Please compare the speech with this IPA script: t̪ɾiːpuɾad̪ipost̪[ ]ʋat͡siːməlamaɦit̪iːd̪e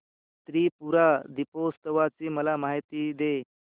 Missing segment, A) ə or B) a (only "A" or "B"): A